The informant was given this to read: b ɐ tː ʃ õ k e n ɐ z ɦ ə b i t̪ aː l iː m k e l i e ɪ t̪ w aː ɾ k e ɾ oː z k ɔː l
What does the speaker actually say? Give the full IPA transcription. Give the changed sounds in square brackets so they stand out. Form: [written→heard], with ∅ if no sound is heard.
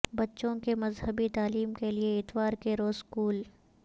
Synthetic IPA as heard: b ɐ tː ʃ õ k e [n→m] ɐ z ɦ ə b i t̪ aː l iː m k e l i e ɪ t̪ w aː ɾ k e ɾ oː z k [ɔː→uː] l